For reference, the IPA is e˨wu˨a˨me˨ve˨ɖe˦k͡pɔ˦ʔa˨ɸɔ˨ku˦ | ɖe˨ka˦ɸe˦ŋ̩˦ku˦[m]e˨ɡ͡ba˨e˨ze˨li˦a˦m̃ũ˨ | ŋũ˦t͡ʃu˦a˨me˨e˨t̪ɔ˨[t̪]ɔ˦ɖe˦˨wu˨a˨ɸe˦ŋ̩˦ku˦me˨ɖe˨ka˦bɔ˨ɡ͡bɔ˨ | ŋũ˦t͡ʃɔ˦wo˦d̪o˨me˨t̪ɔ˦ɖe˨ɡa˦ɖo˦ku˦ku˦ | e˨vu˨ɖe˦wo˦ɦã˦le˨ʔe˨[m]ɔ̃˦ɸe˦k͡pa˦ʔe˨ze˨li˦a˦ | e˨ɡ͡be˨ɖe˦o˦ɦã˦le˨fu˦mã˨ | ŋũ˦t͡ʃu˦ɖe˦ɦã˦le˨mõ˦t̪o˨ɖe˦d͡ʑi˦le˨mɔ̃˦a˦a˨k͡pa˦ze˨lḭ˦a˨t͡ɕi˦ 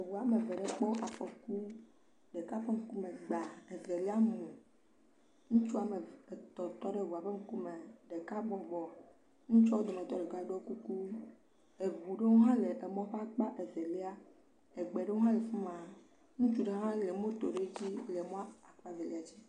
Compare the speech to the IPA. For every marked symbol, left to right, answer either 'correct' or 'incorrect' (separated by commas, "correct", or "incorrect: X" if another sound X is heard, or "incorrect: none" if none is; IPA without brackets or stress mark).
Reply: correct, correct, correct